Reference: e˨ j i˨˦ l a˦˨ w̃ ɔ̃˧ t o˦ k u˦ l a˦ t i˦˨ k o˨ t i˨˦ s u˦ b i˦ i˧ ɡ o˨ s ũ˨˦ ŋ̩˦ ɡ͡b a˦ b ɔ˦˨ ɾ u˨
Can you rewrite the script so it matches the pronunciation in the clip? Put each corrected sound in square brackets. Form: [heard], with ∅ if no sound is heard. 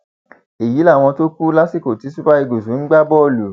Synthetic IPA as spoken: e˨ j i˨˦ l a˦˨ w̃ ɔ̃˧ t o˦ k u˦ l a˦ [s] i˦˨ k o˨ t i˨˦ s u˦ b [a˦] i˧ ɡ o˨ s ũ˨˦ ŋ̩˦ ɡ͡b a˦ b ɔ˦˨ [l] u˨